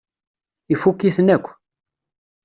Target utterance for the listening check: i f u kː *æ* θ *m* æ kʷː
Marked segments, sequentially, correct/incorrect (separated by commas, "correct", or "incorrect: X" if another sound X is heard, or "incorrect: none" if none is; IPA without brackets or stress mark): incorrect: i, incorrect: n